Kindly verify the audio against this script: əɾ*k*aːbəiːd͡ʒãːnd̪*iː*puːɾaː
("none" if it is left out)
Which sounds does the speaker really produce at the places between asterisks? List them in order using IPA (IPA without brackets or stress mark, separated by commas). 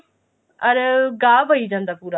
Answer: ɡ, aː